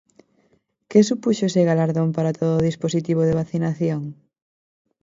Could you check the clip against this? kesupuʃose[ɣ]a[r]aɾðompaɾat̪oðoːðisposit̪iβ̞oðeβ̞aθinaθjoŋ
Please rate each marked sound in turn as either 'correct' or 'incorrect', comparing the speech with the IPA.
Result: correct, incorrect: l

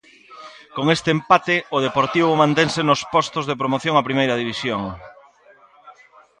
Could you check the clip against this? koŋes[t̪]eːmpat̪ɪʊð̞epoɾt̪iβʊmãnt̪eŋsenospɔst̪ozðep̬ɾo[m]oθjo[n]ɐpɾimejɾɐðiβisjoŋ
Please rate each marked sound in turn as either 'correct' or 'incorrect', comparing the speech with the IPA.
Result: correct, correct, incorrect: ŋ

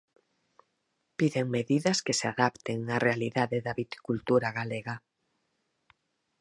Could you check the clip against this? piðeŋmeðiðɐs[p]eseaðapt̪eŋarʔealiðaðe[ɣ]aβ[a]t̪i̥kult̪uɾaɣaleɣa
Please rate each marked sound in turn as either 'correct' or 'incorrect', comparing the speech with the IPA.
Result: incorrect: k, incorrect: ð, incorrect: i

